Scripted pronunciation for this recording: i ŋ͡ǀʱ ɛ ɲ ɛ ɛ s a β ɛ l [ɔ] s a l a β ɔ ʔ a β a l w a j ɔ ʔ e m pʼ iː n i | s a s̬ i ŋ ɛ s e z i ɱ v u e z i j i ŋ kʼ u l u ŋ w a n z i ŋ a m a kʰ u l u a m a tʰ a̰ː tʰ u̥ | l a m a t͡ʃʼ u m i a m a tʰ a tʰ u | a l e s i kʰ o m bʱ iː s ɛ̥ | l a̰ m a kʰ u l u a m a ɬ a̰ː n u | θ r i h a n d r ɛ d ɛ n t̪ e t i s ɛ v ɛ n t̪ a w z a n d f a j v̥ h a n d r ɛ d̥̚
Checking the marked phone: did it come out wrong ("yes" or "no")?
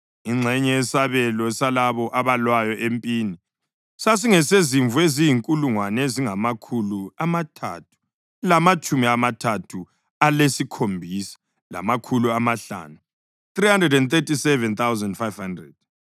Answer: no